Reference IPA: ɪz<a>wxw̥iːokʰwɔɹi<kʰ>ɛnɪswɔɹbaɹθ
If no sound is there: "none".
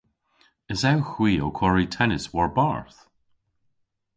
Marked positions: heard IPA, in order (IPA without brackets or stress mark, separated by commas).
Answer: a, tʰ